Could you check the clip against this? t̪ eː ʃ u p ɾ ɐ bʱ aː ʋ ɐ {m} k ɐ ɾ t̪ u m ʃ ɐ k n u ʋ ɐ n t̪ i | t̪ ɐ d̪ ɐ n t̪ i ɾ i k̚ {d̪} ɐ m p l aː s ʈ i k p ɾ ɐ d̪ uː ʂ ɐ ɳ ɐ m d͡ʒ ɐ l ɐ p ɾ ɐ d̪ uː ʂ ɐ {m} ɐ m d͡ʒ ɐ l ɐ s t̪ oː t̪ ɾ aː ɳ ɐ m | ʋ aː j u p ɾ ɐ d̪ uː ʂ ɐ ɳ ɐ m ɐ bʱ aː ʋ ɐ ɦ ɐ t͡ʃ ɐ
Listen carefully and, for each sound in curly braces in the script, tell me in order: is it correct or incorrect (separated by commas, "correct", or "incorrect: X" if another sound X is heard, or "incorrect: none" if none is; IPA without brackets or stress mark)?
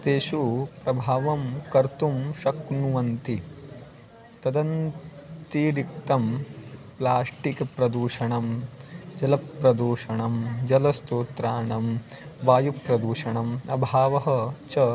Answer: correct, incorrect: t̪, incorrect: ɳ